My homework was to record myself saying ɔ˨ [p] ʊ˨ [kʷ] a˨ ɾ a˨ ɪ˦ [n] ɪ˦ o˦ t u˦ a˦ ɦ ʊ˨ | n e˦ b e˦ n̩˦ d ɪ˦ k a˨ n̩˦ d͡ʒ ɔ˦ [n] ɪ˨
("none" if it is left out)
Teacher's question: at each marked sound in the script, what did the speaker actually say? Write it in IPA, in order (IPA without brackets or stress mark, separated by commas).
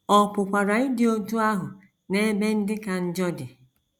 p, kʷ, d, d